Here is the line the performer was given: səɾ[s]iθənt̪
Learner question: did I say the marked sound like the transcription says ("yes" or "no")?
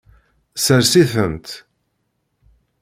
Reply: yes